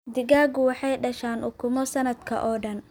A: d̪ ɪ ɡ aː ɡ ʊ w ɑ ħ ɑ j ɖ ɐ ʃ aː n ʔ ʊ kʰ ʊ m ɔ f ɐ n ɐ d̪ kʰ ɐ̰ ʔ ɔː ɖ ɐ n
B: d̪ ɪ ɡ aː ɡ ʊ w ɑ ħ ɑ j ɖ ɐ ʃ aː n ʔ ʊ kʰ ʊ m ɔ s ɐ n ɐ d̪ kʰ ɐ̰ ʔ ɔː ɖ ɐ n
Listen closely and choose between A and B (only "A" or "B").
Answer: B